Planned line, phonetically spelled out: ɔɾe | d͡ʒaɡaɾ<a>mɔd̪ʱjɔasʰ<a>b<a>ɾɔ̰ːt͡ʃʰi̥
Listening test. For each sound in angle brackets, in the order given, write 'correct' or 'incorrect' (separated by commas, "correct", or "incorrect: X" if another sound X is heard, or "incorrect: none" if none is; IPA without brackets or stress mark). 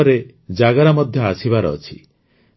correct, incorrect: i, correct